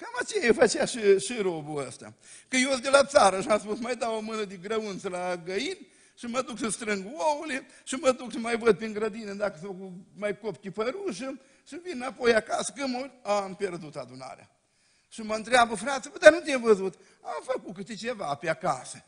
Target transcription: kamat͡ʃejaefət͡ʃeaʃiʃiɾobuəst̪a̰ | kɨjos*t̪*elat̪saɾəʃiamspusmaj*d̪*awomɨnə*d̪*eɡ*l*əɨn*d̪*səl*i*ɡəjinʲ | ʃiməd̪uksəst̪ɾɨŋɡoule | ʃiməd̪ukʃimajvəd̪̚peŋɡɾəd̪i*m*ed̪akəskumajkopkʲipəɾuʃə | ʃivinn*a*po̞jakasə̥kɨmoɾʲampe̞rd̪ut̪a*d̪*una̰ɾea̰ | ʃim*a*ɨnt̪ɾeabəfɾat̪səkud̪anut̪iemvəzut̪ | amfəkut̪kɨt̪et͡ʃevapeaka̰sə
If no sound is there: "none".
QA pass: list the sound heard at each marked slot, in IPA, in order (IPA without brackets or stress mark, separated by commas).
d̪, d̪, d̪, ɾ, t̪, a, n, a, d̪, ə